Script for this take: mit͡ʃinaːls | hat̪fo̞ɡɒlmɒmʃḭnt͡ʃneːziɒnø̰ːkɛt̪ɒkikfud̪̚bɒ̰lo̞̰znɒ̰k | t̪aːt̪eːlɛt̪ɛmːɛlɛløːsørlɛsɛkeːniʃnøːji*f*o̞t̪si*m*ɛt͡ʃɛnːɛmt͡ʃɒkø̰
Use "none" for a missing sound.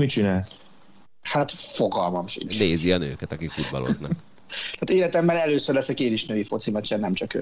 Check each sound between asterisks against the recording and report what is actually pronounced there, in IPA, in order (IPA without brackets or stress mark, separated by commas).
f, m